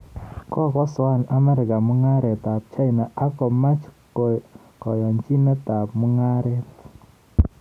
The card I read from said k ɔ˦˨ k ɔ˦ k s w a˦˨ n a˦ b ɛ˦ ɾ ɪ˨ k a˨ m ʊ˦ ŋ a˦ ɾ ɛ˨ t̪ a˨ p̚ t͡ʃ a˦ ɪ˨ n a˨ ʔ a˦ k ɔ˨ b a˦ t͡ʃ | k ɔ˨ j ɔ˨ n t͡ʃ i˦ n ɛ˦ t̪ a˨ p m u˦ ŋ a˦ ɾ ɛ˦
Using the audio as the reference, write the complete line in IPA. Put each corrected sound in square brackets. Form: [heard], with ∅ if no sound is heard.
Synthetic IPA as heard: k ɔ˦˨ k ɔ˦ [∅] s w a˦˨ n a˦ [m] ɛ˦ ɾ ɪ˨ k a˨ m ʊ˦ ŋ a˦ ɾ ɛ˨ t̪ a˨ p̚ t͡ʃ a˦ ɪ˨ n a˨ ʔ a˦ k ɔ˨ [m] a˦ t͡ʃ | k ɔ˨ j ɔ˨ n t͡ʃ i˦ n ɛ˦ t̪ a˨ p m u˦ ŋ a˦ ɾ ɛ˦

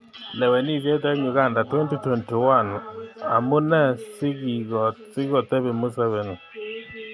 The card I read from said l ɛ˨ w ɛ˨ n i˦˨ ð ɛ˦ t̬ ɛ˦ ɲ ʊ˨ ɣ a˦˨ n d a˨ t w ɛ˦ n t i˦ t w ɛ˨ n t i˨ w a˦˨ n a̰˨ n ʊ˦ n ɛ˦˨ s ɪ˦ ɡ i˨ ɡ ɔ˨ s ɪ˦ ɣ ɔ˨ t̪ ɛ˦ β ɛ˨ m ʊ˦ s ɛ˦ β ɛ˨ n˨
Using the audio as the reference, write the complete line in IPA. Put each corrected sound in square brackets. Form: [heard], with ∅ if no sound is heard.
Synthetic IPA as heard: l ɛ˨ w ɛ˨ n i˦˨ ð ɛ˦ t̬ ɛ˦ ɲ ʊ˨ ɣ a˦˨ n d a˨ t w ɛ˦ n t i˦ t w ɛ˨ n t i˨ w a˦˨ n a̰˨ [m] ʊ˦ n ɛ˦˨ s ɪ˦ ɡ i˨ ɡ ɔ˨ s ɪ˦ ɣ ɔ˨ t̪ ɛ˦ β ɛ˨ m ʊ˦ s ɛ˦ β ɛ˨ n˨

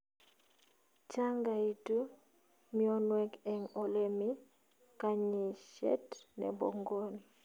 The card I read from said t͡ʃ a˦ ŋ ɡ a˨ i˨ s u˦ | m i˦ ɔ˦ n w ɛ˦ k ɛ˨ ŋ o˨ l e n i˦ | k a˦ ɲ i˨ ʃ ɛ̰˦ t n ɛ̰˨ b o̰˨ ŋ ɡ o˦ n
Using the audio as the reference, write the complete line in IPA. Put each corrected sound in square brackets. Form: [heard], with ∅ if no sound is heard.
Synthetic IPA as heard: t͡ʃ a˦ ŋ ɡ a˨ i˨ [t] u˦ | m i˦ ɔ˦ n w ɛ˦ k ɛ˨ ŋ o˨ l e [m] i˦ | k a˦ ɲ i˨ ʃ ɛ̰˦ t n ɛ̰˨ b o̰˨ ŋ ɡ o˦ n

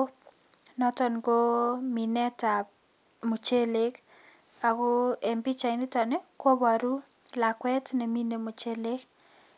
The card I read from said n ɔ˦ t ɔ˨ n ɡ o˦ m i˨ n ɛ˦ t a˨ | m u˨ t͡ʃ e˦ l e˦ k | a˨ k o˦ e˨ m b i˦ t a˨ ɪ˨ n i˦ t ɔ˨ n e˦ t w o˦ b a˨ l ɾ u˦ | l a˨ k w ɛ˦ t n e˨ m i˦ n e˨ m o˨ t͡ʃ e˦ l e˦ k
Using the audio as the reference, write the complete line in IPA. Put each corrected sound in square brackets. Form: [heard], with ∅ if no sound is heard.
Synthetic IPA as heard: n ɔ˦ t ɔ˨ n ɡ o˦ m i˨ n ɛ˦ t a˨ | m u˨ t͡ʃ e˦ l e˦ k | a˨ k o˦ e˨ m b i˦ [t͡ʃ] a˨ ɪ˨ n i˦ t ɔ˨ n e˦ [k] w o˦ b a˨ [∅] ɾ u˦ | l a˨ k w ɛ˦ t n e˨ m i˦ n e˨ m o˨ t͡ʃ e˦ l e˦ k

